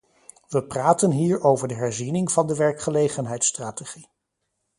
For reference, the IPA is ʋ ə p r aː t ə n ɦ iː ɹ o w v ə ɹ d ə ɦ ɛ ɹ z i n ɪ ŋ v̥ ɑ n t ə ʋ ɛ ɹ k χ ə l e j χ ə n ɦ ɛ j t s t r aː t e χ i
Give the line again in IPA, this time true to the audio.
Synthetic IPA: ʋ ə p r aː t ə n ɦ iː ɹ o w v ə ɹ d ə ɦ ɛ ɹ z i n ɪ ŋ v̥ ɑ n d ə ʋ ɛ ɹ k χ ə l e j χ ə n ɦ ɛ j t s t r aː t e χ i